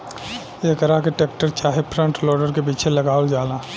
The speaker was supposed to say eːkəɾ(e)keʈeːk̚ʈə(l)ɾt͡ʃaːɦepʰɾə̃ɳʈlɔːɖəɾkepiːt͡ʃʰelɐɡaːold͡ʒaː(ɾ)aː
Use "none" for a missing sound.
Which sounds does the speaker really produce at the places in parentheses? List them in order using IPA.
a, none, l

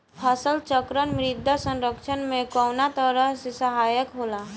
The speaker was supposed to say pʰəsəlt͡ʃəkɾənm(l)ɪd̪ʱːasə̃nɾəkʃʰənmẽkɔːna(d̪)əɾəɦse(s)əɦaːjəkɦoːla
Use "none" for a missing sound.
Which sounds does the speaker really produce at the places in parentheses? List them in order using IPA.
ɾ, t̪, s

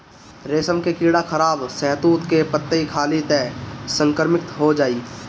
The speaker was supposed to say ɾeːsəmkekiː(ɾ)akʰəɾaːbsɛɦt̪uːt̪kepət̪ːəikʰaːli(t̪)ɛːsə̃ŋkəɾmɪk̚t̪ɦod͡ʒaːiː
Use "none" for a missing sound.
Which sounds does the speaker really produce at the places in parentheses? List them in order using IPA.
ɽ, t̪

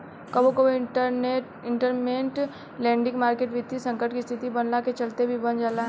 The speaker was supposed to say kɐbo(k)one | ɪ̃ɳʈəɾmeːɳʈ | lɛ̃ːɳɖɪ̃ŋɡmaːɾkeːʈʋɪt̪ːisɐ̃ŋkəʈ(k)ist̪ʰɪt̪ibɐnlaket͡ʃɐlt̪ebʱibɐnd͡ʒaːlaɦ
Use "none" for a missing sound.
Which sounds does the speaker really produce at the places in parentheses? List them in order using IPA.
k, k

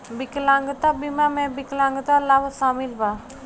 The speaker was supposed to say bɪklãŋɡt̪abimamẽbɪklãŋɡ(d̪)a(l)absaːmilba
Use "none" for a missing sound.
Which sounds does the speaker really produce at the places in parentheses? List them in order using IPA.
t̪, l

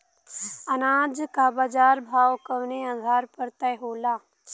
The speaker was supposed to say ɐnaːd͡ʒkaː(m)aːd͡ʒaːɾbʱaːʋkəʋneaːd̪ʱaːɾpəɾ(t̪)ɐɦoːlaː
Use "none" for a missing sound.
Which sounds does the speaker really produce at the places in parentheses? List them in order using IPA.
b, t̪

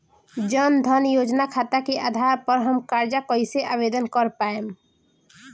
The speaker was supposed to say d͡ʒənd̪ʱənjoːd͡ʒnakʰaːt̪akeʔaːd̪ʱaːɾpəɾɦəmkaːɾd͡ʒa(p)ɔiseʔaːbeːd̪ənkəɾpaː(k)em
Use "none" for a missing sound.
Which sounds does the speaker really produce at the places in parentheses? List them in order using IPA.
k, none

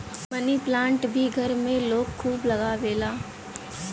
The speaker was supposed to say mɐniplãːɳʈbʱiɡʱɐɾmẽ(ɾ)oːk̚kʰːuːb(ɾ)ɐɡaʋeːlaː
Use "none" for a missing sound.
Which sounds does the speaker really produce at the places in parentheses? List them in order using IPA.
l, l

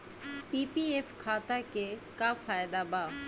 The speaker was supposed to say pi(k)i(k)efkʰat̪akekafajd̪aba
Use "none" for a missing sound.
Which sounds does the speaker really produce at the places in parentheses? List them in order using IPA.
p, none

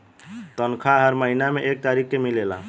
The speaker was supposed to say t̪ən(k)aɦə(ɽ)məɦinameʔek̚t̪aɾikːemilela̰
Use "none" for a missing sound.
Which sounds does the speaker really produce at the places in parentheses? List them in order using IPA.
kʰ, ɾ

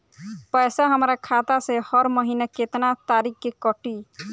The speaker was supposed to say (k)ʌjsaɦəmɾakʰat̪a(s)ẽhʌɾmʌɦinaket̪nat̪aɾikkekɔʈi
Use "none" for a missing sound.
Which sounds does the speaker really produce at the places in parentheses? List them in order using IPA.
p, s

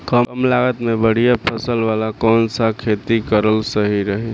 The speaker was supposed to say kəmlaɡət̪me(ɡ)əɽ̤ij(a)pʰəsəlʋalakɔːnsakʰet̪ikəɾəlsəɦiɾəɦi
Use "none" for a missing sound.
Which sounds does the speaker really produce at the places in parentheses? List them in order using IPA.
b, a

